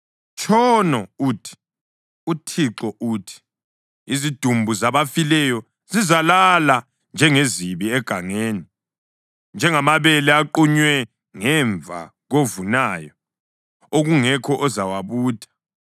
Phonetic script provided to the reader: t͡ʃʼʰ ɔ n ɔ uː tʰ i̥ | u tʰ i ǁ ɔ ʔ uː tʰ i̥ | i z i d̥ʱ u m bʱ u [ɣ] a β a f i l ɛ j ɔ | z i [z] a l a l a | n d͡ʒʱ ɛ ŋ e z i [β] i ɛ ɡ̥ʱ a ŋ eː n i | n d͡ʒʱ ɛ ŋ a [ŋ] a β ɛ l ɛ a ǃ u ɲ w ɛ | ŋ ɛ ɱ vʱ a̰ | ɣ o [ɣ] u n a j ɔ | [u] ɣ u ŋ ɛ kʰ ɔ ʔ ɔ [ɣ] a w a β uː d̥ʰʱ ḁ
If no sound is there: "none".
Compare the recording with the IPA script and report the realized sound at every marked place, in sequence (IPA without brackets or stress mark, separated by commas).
z, z, β, m, v, o, z